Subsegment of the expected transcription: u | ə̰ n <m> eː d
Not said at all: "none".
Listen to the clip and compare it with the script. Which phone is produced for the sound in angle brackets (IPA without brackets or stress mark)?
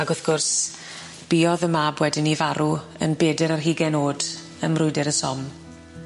b